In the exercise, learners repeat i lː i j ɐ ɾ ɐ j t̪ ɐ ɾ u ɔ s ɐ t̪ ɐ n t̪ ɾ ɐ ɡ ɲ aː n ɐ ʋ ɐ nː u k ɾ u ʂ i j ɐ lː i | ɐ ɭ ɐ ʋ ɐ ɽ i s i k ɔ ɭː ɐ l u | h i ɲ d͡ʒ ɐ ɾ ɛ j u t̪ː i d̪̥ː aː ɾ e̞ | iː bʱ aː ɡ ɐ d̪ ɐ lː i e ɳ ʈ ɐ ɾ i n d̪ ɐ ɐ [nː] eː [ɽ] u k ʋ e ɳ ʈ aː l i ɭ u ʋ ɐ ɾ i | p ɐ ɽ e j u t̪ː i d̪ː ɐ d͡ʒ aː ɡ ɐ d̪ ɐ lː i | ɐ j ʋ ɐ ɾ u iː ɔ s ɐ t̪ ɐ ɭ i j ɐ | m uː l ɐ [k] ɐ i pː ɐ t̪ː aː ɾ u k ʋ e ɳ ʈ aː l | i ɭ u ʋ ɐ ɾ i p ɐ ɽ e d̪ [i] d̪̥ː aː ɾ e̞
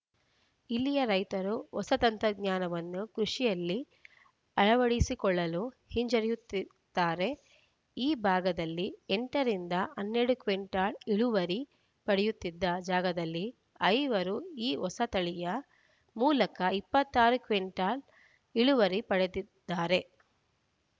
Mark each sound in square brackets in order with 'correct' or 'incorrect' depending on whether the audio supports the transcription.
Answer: correct, correct, correct, correct

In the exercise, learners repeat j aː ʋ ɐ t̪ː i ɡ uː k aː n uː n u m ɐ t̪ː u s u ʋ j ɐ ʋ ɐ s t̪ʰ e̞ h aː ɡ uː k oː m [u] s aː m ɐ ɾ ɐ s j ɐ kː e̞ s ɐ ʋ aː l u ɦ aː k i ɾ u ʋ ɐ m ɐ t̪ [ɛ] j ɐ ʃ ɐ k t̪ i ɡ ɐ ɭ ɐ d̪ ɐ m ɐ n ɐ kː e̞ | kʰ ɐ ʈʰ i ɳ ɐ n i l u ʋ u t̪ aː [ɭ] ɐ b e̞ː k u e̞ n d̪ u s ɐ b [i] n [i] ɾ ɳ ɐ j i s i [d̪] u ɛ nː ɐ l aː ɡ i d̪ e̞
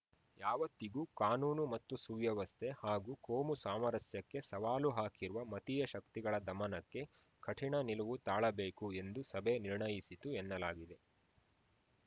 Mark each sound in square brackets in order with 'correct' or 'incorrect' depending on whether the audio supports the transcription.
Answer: correct, incorrect: i, correct, incorrect: e, correct, incorrect: t̪

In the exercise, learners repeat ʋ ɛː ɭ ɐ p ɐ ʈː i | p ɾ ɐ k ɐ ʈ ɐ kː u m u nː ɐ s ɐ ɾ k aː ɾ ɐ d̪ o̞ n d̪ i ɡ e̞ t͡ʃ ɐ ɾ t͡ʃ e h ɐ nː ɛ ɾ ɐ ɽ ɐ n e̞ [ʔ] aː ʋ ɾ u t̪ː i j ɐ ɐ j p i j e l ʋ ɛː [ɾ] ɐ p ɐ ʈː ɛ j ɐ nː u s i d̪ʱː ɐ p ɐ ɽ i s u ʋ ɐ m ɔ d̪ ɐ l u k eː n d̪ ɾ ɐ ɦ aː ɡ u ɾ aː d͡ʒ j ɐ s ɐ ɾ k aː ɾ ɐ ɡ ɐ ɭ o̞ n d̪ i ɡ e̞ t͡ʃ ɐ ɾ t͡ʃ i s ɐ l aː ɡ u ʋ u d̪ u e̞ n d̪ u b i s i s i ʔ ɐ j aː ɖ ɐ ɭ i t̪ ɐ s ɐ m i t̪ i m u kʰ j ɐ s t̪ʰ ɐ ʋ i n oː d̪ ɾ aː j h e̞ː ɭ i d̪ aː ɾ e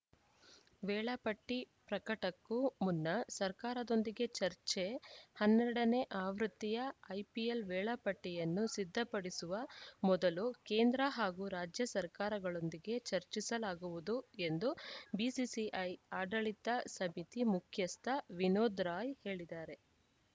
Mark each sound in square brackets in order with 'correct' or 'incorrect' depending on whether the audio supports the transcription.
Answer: correct, incorrect: ɭ

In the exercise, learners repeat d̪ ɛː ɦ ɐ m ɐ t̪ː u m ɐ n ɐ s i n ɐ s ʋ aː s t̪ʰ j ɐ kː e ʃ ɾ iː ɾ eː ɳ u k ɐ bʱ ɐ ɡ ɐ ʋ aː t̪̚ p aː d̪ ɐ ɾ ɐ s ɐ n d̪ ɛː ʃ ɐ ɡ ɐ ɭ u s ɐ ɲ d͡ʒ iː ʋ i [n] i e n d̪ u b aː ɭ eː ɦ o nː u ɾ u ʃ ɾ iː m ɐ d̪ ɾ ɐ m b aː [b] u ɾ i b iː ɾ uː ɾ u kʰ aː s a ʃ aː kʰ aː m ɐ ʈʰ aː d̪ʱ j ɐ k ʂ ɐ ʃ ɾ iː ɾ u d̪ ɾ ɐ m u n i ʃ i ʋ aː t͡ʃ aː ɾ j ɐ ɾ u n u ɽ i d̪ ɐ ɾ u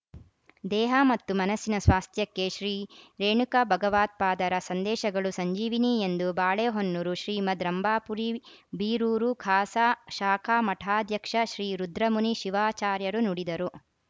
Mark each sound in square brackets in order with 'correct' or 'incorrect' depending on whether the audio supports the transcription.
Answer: correct, incorrect: p

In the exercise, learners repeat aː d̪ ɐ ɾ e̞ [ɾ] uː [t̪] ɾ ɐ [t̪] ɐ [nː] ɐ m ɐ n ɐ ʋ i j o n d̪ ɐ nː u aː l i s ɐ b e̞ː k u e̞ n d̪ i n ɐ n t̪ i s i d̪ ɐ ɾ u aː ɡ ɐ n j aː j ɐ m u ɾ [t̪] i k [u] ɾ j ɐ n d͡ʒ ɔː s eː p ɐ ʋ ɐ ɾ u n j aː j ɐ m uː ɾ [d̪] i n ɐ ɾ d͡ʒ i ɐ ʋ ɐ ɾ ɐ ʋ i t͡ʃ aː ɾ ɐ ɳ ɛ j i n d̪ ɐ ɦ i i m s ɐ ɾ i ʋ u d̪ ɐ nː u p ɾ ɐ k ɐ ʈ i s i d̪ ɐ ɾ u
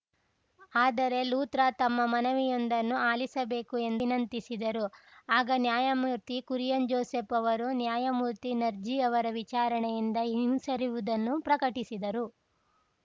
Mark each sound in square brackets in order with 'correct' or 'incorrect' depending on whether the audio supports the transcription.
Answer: incorrect: l, correct, correct, incorrect: mː, correct, correct, incorrect: t̪

